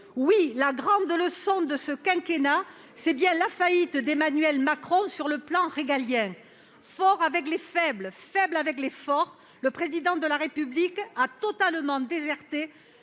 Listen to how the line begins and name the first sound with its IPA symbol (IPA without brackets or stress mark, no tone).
w